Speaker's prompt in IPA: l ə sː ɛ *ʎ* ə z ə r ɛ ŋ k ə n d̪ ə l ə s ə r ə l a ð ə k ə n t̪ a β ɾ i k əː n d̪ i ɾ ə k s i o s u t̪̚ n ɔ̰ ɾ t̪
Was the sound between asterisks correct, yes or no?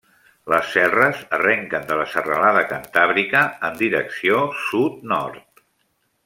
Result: no